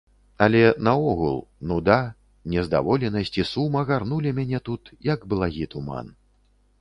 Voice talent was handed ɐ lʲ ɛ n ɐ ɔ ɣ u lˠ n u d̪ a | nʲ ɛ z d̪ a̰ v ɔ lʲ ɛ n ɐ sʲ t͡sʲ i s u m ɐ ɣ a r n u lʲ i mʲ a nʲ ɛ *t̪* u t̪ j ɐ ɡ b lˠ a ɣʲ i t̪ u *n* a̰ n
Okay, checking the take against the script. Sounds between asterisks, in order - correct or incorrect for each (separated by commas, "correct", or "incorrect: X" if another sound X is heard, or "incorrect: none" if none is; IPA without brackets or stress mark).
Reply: correct, incorrect: m